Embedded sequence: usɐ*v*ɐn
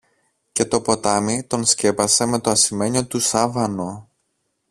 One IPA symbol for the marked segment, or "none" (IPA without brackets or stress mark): v